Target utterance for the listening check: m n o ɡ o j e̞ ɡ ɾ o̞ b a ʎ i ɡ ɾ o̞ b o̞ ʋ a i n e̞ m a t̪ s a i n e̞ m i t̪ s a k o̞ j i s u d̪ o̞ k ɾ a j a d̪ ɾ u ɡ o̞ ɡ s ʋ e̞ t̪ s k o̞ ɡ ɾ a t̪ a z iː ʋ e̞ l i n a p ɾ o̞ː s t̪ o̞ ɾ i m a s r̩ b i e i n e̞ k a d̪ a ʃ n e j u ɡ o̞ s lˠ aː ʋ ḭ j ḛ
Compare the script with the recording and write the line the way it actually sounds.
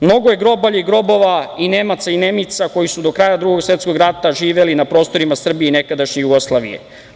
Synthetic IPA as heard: m n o ɡ o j e̞ ɡ ɾ o̞ b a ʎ i ɡ ɾ o̞ b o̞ ʋ a i n e̞ m a t̪ s a i n e̞ m i t̪ s a k o̞ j i s u d̪ o̞ k ɾ a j a d̪ ɾ u ɡ o̞ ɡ s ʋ e̞ t̪ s k o̞ ɡ ɾ a t̪ a ʒ iː ʋ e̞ l i n a p ɾ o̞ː s t̪ o̞ ɾ i m a s r̩ b i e i n e̞ k a d̪ a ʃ ɲ e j u ɡ o̞ s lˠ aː ʋ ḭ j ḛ